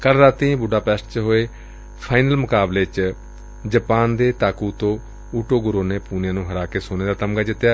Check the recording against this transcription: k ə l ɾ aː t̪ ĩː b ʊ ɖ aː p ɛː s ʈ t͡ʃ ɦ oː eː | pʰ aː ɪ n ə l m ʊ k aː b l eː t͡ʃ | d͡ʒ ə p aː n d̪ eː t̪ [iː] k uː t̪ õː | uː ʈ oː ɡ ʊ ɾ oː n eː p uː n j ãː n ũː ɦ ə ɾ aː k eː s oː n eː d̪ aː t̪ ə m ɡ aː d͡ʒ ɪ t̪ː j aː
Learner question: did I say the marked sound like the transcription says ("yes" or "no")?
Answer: no